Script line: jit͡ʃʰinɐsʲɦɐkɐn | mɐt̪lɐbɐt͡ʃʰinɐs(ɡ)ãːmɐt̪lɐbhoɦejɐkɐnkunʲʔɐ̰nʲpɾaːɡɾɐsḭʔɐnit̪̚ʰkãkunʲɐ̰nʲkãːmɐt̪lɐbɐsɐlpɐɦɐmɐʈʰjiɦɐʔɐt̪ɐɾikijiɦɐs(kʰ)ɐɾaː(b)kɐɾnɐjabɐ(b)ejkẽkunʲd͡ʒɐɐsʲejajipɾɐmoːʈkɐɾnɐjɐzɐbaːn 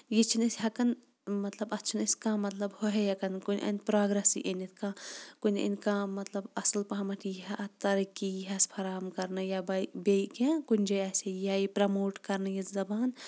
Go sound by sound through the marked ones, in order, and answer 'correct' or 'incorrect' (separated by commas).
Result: incorrect, incorrect, incorrect, correct